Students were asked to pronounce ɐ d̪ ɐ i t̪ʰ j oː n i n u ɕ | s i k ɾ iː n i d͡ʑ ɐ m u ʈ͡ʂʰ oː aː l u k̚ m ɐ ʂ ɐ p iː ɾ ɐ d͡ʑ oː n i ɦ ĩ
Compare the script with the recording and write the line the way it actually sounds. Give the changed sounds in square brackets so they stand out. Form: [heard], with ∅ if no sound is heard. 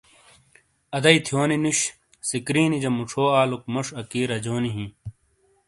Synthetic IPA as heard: ɐ d̪ ɐ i t̪ʰ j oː n i n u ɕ | s i k ɾ iː n i d͡ʑ ɐ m u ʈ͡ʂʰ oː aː l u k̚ m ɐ ʂ ɐ [k] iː ɾ ɐ d͡ʑ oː n i ɦ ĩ